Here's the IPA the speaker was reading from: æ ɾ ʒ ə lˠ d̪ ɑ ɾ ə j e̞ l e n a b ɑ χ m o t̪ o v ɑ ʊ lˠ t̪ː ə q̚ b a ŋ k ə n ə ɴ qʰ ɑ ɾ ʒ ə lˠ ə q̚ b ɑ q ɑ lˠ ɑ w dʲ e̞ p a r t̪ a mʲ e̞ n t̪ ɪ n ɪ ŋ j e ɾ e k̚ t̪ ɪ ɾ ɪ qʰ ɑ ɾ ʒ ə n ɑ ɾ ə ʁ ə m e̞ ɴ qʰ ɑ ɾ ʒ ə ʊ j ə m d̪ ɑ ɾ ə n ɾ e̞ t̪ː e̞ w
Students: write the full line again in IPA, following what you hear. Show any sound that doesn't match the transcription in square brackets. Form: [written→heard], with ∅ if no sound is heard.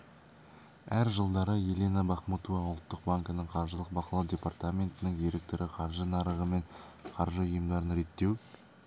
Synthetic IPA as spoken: æ ɾ ʒ ə lˠ d̪ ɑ ɾ ə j e̞ l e n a b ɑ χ m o t̪ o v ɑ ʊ lˠ t̪ː ə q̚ b a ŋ k ə n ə ɴ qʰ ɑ ɾ ʒ ə lˠ ə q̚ b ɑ q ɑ lˠ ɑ w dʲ e̞ p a r t̪ a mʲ e̞ n t̪ ɪ n ɪ ŋ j e ɾ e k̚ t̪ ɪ ɾ ɪ qʰ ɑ ɾ ʒ ə n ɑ ɾ ə ʁ ə m e̞ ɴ qʰ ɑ ɾ ʒ ə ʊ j ə m d̪ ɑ ɾ ə n ɾ e̞ t̪ː e̞ w